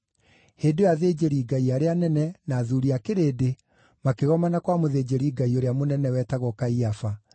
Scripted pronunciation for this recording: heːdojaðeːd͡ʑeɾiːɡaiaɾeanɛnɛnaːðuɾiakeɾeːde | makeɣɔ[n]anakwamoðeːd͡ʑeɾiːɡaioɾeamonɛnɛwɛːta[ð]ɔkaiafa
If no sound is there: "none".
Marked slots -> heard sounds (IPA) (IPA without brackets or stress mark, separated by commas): m, ɣ